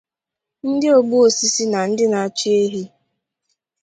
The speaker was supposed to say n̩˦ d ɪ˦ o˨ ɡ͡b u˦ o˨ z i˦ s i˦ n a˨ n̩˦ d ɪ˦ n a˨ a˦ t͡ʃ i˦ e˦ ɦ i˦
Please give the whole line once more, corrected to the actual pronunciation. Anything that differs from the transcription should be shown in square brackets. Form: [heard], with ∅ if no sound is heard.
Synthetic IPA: n̩˦ d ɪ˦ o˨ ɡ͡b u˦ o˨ [s] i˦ s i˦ n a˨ n̩˦ d ɪ˦ n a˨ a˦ t͡ʃ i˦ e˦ ɦ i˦